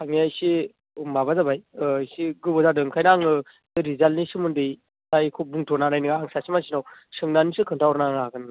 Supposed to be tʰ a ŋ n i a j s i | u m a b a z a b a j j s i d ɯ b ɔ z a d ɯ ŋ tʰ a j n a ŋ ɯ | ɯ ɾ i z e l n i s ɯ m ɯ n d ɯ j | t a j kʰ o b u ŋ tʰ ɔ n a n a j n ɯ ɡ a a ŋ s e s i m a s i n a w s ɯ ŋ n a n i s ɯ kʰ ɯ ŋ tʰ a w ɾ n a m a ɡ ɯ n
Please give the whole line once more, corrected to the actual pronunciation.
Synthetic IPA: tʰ a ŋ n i a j s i | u m a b a z a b a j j s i ɡ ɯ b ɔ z a d ɯ ŋ kʰ a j n a ŋ ɯ | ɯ ɾ i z a l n i s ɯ m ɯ n d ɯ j | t a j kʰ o b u ŋ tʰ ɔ n a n a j n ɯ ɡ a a ŋ s a s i m a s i n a w s ɯ ŋ n a n i s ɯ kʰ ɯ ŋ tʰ a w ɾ n a ŋ a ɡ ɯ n